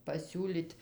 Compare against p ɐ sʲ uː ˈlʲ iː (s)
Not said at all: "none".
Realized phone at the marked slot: t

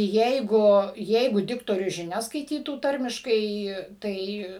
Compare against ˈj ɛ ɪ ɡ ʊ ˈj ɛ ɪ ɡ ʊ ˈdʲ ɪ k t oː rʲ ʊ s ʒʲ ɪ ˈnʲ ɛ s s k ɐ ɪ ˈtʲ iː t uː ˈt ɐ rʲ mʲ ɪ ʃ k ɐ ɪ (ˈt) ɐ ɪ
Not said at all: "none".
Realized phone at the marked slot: t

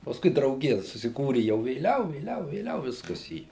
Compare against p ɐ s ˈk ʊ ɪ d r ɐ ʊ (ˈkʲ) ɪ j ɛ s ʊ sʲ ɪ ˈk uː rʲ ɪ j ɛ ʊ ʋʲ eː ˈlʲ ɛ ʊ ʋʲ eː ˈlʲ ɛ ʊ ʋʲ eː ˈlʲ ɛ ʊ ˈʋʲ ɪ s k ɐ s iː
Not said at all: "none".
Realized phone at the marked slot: ɡʲ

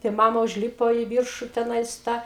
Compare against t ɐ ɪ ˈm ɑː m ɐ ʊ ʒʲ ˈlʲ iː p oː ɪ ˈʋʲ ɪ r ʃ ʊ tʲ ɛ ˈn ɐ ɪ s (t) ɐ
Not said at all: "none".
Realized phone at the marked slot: t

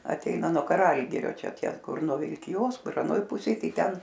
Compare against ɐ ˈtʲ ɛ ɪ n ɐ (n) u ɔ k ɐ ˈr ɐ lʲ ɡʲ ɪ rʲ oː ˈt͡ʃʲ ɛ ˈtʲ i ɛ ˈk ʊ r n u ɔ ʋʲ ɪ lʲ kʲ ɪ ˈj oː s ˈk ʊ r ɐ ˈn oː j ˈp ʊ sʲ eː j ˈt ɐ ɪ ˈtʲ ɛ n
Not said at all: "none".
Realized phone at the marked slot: n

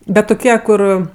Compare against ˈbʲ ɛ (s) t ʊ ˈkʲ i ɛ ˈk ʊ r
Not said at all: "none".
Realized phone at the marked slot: t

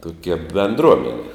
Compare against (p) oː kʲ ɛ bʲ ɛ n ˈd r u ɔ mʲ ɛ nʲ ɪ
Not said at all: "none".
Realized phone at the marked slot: t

